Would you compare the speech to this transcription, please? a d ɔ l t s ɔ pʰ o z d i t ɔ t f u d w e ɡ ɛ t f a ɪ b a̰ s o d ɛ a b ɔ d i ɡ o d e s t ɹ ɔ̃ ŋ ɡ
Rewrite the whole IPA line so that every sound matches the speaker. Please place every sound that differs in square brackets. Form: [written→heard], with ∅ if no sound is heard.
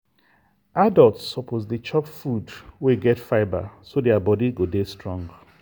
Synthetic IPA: a d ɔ l t s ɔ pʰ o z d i [t→t͡ʃ] ɔ [t→p] f u d w e ɡ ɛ t f a ɪ b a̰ s o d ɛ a b ɔ d i ɡ o d e s t ɹ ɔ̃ ŋ ɡ